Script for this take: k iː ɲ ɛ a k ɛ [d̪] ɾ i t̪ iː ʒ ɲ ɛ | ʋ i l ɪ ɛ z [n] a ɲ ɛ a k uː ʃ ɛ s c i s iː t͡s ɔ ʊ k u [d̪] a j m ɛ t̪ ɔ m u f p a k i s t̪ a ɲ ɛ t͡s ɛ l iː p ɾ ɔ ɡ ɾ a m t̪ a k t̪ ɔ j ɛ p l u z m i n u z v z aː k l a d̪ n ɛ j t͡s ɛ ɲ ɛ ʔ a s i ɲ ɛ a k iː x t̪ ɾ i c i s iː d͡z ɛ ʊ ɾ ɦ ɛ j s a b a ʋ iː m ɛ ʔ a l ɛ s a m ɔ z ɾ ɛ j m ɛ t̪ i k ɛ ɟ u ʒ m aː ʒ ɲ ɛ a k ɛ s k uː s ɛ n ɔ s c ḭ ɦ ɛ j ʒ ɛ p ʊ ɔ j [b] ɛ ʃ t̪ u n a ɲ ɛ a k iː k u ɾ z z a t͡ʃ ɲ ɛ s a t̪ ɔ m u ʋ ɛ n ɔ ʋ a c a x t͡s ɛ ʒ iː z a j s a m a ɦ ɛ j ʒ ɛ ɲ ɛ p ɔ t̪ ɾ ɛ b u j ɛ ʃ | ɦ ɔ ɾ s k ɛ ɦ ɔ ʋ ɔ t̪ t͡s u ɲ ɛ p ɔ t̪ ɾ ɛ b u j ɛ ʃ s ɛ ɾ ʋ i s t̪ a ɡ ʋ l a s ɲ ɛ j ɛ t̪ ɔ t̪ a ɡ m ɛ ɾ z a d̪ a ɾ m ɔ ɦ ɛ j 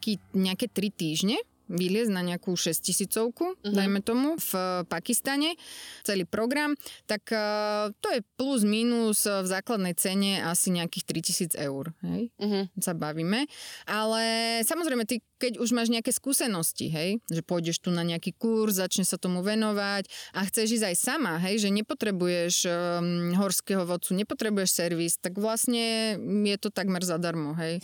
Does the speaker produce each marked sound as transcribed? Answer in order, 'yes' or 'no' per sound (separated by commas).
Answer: no, yes, yes, no